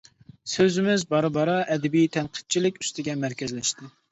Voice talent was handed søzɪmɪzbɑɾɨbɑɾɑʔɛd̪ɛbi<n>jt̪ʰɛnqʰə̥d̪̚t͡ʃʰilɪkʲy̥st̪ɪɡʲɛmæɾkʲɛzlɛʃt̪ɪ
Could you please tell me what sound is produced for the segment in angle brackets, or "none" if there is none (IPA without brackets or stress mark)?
none